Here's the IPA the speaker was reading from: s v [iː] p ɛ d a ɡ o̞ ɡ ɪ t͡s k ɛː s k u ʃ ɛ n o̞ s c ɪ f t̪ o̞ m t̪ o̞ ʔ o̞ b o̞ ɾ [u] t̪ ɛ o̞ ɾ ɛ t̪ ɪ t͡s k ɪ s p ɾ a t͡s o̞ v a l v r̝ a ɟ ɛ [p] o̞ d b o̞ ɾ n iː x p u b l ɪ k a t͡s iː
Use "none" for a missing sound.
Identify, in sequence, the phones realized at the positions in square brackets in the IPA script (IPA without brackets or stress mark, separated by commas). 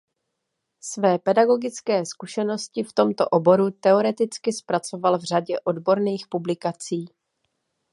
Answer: ɛː, u, ʔ